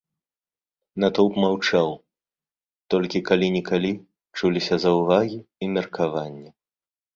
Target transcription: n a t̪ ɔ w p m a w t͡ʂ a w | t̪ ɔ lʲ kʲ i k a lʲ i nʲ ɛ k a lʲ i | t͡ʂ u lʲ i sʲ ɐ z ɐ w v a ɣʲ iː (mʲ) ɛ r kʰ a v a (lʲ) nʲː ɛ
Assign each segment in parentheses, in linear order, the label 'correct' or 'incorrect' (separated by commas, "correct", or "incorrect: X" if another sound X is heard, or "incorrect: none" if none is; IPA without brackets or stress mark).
correct, incorrect: none